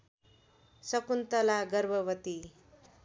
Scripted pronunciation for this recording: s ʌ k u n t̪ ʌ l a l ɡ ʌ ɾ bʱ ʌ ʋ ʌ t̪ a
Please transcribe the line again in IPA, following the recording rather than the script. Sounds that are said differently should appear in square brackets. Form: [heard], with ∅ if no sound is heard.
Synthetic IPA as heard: s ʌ k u n t̪ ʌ l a [∅] ɡ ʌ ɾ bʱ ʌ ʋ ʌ t̪ [i]